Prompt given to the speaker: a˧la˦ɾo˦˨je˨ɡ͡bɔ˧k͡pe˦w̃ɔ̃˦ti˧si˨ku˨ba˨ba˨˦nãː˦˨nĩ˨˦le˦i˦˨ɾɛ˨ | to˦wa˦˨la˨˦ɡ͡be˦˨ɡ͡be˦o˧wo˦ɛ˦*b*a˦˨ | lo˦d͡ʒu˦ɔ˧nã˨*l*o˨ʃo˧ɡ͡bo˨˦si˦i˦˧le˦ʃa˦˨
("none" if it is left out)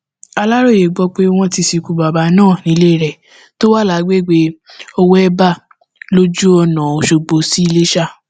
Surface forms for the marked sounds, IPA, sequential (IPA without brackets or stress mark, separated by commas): b, none